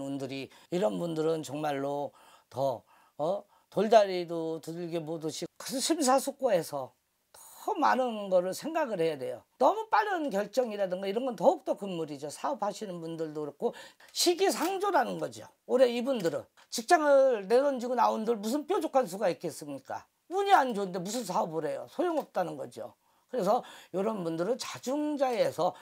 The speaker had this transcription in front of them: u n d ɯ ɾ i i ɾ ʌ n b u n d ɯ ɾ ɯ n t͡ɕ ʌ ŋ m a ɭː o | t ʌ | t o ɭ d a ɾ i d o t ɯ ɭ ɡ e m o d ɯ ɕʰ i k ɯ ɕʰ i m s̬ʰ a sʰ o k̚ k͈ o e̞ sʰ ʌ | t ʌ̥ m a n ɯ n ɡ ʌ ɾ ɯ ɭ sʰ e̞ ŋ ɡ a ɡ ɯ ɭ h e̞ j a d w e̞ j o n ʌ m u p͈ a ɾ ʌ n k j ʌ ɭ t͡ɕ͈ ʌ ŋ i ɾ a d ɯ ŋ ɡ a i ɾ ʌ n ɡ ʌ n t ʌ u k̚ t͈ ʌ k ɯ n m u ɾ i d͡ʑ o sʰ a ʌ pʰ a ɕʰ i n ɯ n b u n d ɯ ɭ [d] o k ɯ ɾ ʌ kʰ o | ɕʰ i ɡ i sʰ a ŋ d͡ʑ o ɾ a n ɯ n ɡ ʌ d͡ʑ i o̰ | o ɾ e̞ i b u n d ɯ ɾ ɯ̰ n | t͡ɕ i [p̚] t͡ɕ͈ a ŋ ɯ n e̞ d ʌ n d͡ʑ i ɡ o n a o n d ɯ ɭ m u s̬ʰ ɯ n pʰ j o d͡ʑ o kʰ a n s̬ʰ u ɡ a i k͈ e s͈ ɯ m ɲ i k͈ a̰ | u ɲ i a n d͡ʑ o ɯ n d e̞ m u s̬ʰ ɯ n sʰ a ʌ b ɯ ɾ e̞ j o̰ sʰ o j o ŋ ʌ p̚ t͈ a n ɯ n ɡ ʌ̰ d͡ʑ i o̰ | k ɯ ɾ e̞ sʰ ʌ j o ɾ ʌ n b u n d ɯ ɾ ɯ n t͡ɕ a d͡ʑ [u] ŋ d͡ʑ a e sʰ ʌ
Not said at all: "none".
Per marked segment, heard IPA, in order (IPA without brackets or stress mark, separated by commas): d, k̚, u